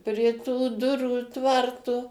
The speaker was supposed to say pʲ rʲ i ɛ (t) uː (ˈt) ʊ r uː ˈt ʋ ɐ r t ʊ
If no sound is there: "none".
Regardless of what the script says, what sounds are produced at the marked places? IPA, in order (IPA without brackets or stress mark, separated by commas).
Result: t, d